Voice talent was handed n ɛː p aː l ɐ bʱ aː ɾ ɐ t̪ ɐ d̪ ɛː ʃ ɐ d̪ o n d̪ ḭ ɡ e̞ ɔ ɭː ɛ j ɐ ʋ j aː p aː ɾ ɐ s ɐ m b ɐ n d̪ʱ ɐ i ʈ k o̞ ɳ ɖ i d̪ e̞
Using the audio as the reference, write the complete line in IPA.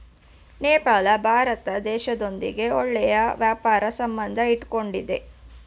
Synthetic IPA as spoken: n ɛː p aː l ɐ bʱ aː ɾ ɐ t̪ ɐ d̪ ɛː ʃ ɐ d̪ o n d̪ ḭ ɡ e̞ ɔ ɭː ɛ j ɐ ʋ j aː p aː ɾ ɐ s ɐ m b ɐ n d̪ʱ ɐ i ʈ k o̞ ɳ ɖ i d̪ e̞